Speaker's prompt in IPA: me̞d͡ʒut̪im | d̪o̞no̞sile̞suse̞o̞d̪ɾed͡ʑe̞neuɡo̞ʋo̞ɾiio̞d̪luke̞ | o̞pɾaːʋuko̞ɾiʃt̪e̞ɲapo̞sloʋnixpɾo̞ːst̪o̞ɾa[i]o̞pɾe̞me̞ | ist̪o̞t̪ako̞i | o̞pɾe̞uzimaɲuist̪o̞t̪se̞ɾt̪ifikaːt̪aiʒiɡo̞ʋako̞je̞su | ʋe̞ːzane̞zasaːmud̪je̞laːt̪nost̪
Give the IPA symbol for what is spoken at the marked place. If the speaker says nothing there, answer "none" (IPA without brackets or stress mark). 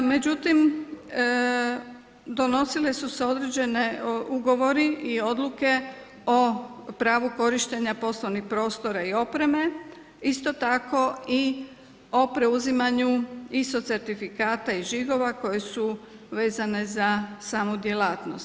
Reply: i